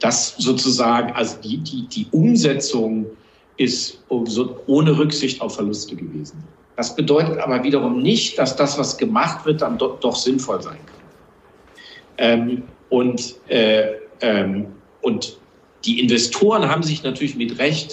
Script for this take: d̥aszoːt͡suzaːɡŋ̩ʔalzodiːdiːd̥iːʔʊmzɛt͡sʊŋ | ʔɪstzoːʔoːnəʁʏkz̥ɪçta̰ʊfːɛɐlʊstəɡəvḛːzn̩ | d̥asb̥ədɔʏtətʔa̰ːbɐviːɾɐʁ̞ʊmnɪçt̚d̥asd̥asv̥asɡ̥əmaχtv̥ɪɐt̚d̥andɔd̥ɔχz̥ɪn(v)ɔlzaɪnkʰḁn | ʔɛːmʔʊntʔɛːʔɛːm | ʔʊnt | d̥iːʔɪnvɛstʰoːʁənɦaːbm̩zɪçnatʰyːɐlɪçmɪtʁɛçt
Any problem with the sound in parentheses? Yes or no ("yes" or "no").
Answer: yes